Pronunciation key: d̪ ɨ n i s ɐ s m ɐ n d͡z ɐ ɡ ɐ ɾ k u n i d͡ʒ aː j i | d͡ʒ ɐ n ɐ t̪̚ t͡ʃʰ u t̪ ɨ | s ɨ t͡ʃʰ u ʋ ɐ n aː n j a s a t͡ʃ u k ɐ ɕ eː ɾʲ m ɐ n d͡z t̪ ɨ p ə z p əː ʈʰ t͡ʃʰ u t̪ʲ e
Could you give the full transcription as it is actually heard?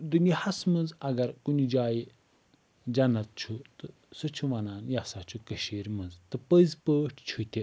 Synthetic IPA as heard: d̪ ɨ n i h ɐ s m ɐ n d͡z ɐ ɡ ɐ ɾ k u n i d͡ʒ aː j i | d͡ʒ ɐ n ɐ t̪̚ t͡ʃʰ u t̪ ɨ | s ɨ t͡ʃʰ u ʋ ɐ n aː n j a s a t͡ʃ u k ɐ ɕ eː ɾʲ m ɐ n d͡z t̪ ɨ p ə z p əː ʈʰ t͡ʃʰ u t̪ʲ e

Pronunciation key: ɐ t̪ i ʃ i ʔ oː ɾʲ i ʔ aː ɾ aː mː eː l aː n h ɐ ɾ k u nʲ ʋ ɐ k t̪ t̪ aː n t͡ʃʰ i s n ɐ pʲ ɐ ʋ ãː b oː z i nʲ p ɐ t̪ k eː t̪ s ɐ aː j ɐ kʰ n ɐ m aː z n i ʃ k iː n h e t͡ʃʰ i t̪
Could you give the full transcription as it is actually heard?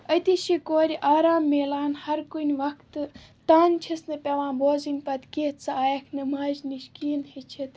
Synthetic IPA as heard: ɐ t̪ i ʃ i k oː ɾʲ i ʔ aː ɾ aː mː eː l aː n h ɐ ɾ k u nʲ ʋ ɐ k t̪ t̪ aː n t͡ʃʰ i s n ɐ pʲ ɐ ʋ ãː b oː z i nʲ p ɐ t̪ k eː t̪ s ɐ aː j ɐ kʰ n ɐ m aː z n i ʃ k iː n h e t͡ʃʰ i t̪

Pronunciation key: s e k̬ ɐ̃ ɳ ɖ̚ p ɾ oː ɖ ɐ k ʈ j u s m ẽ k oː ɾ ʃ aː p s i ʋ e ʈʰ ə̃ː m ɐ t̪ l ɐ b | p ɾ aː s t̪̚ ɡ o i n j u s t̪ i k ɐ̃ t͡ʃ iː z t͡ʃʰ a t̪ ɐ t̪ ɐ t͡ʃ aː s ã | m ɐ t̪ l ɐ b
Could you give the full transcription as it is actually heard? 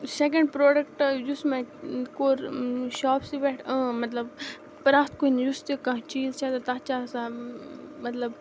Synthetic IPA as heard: s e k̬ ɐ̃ ɳ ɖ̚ p ɾ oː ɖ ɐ k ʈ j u s m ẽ k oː ɾ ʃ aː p s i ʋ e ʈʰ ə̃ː m ɐ t̪ l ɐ b | p ɾ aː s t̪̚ k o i n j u s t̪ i k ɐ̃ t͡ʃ iː z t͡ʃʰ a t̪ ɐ t̪ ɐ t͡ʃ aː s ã | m ɐ t̪ l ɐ b

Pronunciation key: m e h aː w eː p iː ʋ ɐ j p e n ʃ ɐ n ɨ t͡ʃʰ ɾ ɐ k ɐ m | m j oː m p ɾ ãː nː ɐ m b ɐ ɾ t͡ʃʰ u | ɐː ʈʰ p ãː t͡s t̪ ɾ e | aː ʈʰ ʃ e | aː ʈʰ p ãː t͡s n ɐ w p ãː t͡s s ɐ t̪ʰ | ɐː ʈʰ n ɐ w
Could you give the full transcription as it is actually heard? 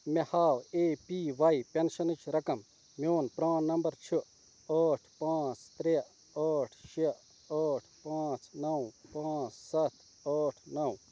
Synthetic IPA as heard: m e h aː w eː p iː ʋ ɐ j p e n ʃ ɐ n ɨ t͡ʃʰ ɾ ɐ k ɐ m | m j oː n p ɾ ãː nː ɐ m b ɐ ɾ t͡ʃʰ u | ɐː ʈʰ p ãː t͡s t̪ ɾ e | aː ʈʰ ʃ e | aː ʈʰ p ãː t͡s n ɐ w p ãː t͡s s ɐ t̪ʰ | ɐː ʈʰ n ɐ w

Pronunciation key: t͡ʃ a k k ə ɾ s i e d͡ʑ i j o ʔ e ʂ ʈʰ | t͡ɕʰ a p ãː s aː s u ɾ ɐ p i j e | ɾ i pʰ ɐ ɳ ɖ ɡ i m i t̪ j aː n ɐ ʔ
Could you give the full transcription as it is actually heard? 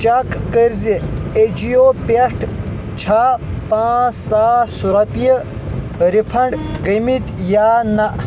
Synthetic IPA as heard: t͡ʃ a k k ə ɾ z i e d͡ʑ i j o p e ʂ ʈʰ | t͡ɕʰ a p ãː s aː s u ɾ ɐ p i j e | ɾ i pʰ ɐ ɳ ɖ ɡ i m i t̪ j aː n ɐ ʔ

